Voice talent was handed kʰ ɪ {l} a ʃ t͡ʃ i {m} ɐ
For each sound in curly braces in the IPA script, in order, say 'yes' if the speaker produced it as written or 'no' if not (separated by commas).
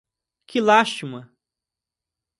yes, yes